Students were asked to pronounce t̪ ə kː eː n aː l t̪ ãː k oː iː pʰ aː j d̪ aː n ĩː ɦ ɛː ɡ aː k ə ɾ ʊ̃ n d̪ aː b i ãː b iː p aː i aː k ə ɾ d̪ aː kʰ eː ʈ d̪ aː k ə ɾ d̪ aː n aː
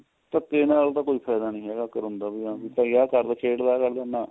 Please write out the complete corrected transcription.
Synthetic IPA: t̪ ə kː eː n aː l t̪ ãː k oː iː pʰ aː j d̪ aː n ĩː ɦ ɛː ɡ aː k ə ɾ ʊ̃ n d̪ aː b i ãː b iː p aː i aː k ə ɾ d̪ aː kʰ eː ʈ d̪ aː k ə ɾ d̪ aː n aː